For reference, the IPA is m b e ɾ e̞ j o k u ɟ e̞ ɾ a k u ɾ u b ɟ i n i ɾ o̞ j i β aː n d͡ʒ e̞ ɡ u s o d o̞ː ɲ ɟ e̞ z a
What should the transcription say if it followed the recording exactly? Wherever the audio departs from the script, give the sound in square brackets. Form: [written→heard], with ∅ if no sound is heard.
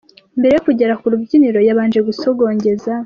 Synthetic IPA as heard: m b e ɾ e̞ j o k u ɟ e̞ ɾ a k u ɾ u b ɟ i n i ɾ o̞ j [i→a] β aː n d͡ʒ e̞ ɡ u s o [d→ɡ] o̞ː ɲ ɟ e̞ z a